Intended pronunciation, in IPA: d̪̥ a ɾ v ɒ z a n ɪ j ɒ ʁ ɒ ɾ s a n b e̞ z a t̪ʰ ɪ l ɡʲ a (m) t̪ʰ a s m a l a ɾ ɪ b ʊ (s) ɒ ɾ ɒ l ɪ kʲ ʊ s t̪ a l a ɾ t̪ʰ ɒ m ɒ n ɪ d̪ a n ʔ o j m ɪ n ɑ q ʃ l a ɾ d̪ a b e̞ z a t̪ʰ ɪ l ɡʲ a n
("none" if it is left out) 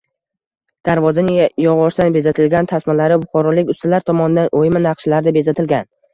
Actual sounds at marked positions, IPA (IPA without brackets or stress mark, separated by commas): n, χ